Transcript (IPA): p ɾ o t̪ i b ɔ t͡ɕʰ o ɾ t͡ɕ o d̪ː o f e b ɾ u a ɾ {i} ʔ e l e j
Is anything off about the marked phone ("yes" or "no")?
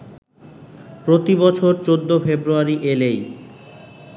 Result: no